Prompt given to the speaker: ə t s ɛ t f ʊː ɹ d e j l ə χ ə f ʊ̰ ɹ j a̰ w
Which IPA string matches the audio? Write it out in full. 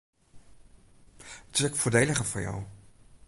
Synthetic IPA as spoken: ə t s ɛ k f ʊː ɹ d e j l ə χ ə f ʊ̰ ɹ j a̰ w